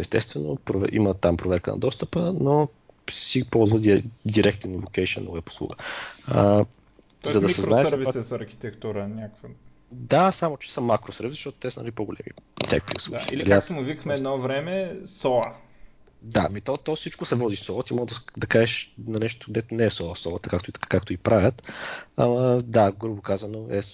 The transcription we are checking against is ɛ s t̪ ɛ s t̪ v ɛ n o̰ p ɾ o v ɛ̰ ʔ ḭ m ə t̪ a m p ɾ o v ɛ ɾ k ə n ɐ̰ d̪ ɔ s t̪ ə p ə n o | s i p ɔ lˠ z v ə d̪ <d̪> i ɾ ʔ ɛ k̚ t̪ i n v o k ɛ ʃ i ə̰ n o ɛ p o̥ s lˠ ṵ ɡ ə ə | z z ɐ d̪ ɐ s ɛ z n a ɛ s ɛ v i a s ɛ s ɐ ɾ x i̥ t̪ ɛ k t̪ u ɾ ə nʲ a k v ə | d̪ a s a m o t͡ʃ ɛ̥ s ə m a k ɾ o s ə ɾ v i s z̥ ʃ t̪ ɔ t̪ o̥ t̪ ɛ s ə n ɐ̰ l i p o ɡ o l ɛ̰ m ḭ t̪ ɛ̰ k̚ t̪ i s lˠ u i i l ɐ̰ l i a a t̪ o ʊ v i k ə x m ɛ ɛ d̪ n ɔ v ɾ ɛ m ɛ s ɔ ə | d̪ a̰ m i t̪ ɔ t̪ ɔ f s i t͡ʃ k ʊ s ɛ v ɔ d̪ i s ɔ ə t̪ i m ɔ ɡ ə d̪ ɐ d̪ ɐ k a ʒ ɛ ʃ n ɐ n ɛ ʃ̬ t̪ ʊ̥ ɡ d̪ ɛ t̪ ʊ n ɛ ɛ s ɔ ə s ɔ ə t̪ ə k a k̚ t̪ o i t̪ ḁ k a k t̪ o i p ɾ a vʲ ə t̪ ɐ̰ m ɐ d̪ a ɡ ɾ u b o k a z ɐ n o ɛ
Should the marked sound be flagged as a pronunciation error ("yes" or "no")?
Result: no